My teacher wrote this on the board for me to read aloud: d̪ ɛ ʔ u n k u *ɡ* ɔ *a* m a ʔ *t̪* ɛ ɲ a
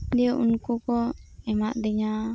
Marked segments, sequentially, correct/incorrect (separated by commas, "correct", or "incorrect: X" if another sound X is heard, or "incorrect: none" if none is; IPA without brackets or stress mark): incorrect: k, incorrect: ɛ, incorrect: d̪